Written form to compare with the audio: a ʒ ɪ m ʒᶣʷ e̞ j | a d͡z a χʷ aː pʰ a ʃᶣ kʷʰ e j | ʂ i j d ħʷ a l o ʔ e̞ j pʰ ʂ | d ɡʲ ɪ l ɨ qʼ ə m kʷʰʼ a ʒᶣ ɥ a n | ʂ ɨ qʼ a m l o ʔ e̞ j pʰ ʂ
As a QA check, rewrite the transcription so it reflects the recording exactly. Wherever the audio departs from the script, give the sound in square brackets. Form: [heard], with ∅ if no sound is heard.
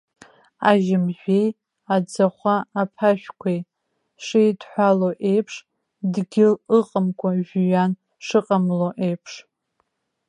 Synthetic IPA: a ʒ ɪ m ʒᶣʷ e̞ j | a d͡z a χʷ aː pʰ a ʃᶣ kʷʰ e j | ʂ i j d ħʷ a l o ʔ e̞ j pʰ ʂ | d ɡʲ ɪ l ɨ qʼ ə m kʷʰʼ a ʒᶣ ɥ a n | ʂ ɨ qʼ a m l o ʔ e̞ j pʰ ʂ